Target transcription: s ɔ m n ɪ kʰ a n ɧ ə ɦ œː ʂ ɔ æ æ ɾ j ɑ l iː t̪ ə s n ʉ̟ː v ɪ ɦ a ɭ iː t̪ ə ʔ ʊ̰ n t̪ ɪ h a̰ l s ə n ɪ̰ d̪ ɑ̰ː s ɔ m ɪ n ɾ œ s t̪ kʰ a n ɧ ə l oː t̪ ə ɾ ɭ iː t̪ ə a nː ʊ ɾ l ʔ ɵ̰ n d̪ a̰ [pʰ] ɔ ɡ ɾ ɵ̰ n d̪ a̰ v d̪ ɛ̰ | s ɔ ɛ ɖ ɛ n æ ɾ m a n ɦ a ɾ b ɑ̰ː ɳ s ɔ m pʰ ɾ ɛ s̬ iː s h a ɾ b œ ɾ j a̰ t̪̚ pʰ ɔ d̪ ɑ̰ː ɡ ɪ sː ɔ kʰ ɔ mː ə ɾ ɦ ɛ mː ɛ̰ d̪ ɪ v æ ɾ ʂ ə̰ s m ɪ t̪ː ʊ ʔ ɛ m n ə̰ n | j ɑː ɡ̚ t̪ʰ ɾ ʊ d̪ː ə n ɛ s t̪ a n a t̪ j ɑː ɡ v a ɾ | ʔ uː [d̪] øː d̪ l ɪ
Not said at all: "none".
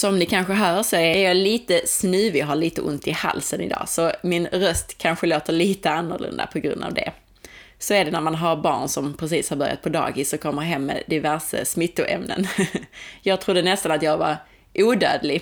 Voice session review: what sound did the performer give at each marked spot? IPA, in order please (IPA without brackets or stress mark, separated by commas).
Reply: pʰ, d̪